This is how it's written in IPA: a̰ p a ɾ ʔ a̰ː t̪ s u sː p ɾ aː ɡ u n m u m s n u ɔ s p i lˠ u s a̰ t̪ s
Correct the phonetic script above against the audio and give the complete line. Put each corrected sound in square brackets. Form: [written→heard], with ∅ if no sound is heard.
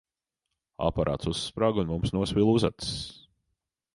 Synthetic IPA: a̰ p a ɾ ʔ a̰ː t̪ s u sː p ɾ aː ɡ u n m u m s n u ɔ s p i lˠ u [s→z] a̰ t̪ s